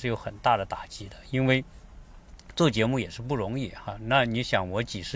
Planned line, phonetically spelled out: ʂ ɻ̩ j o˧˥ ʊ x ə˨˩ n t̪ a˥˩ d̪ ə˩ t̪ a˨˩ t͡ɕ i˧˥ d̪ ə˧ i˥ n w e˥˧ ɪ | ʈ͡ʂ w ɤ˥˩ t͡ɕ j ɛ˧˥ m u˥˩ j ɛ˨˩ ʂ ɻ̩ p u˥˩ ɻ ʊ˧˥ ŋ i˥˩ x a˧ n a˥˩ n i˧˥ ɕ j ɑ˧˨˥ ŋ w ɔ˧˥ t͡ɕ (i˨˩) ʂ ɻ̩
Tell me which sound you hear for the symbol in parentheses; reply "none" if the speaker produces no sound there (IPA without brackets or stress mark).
i˨˩